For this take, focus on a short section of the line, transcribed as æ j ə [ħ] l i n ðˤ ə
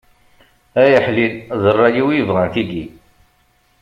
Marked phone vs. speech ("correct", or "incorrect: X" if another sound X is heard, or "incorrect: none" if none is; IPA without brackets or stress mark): correct